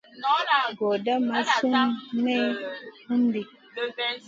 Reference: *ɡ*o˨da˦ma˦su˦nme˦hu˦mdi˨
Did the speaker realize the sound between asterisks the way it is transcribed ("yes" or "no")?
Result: yes